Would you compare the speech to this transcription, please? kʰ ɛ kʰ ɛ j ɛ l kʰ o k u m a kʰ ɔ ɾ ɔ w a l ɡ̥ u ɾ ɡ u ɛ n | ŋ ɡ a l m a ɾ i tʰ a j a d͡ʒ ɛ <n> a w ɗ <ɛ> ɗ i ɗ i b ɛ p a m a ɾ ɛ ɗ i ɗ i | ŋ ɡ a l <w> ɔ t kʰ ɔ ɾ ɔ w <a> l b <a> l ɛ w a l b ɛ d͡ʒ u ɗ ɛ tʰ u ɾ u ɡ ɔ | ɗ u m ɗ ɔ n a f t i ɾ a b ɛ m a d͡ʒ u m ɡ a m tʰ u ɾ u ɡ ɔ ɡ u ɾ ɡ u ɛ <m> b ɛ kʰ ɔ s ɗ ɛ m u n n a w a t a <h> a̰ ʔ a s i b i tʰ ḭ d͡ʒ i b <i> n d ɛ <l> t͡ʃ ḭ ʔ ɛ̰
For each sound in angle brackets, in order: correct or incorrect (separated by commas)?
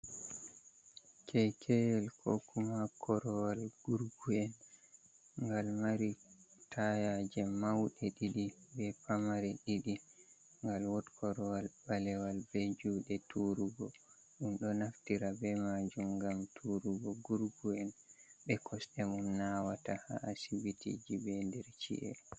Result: incorrect, correct, correct, correct, correct, incorrect, correct, incorrect, incorrect